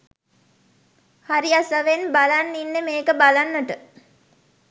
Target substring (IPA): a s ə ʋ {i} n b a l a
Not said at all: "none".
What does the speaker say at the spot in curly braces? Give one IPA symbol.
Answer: e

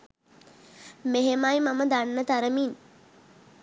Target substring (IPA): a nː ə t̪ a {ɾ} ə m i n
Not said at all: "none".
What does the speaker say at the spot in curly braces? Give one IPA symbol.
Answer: ɾ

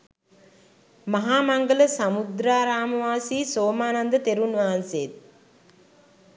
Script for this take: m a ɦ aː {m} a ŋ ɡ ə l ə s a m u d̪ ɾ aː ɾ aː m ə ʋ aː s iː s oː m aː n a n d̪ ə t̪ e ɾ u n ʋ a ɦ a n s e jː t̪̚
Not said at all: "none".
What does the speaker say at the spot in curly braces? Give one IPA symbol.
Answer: m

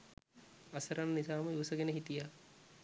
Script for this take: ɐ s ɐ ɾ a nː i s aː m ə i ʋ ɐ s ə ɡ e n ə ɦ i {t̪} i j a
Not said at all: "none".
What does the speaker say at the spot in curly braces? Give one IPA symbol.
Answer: t̪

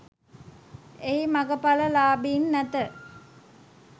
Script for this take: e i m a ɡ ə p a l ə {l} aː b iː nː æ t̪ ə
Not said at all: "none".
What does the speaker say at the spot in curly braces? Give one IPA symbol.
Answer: l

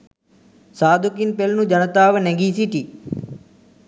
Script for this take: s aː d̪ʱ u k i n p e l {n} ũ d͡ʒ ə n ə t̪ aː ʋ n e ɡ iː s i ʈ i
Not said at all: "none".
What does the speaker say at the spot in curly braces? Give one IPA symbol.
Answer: n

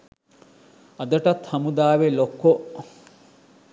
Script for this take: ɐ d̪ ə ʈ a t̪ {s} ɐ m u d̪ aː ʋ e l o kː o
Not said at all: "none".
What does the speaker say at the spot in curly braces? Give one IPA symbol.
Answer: h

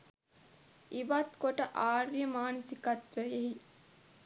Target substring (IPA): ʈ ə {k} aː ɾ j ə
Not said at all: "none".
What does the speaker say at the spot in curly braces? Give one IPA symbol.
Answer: ʔ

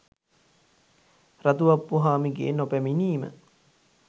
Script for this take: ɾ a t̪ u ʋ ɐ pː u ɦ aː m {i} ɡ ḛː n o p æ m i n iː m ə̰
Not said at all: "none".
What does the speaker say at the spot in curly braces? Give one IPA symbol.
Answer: i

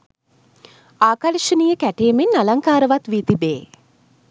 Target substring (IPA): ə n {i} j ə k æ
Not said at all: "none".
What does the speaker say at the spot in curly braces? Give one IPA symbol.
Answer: i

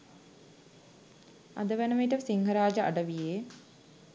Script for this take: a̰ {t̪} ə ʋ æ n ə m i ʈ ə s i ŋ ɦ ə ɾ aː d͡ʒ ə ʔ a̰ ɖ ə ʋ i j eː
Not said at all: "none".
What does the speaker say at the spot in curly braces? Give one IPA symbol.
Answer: d̪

